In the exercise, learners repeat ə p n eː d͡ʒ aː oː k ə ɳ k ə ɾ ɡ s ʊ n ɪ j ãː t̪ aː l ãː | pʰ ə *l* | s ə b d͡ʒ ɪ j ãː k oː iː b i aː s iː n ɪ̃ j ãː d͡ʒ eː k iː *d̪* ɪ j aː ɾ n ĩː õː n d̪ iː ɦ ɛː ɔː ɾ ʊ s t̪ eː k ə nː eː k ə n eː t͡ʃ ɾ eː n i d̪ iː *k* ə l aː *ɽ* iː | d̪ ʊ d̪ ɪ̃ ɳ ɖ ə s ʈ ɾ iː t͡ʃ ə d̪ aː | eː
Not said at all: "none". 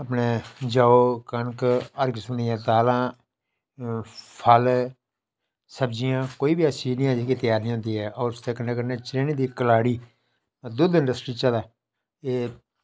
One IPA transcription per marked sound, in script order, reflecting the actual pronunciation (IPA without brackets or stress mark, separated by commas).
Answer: l, t̪, k, ɽ